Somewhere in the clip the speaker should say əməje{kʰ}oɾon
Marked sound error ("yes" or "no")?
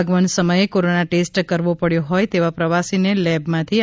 yes